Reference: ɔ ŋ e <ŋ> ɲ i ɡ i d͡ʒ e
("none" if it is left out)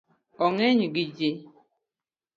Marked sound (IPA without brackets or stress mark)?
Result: none